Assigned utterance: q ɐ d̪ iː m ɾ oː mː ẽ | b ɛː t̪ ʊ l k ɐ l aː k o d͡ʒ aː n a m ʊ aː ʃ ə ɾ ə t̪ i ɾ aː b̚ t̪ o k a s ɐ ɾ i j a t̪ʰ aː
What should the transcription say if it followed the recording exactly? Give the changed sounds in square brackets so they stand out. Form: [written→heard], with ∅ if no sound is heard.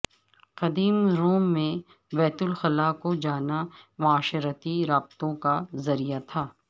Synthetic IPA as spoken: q ɐ d̪ iː m ɾ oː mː ẽ | b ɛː t̪ ʊ l [k→x] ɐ l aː k o d͡ʒ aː n a m ʊ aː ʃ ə ɾ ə t̪ i ɾ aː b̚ t̪ [o→õ] k a [s→z] ɐ ɾ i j a t̪ʰ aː